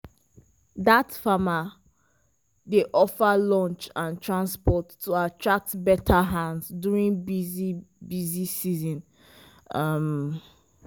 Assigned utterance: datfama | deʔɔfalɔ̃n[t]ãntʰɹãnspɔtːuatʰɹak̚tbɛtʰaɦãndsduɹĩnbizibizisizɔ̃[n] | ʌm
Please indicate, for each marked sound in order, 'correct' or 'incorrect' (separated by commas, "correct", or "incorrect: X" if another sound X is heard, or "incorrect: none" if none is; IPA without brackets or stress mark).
incorrect: t͡ʃ, correct